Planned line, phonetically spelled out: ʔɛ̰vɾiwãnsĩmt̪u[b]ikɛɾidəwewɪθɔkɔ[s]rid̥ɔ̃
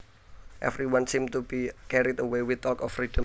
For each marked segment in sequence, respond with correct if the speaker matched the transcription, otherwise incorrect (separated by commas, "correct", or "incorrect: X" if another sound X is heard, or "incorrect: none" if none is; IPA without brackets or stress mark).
correct, incorrect: f